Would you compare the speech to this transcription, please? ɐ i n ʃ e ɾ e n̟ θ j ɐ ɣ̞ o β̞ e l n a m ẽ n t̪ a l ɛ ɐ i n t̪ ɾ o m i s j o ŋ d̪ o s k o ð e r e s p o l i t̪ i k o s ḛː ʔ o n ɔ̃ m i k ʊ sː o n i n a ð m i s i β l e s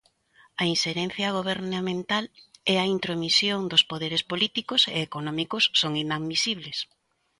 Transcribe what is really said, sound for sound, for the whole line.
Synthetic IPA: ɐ i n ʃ e ɾ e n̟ θ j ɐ ɣ̞ o β̞ e ɾ n a m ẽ n t̪ a l ɛ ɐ i n t̪ ɾ o m i s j o ŋ d̪ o s p o ð e ɾ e s p o l i t̪ i k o s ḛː k o n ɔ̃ m i k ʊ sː o ŋ i n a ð m i s i β l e s